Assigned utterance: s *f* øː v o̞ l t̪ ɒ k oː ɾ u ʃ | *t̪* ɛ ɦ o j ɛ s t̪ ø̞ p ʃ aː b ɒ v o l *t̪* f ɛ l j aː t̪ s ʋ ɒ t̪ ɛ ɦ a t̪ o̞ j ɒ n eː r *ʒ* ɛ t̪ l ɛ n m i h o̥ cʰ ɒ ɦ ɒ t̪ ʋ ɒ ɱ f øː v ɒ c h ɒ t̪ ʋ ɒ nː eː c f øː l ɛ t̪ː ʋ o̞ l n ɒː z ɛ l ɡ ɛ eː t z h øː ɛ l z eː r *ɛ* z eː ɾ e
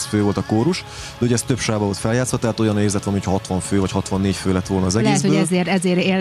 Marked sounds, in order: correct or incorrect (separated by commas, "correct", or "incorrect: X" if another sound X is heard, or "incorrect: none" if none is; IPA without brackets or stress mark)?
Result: correct, incorrect: d̪, correct, incorrect: z, correct